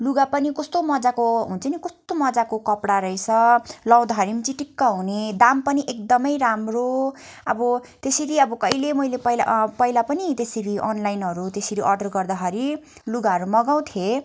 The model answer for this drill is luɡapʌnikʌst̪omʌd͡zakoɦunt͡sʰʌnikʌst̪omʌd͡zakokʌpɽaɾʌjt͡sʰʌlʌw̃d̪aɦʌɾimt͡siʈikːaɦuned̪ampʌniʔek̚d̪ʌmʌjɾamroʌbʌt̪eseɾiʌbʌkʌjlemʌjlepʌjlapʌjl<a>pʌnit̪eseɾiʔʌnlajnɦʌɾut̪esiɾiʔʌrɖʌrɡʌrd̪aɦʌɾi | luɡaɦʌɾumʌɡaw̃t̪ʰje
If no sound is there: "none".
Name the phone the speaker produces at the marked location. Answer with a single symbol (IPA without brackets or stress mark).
a